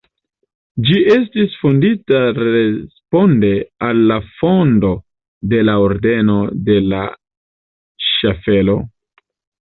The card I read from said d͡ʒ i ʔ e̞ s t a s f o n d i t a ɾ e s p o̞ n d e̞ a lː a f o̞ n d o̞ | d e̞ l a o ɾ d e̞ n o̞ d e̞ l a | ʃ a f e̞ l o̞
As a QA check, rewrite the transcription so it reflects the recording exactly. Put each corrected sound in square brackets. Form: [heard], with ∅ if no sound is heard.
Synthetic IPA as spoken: d͡ʒ i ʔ e̞ s t [i] s f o n d i t a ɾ e s p o̞ n d e̞ a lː a f o̞ n d o̞ | d e̞ l a o ɾ d e̞ n o̞ d e̞ l a | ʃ a f e̞ l o̞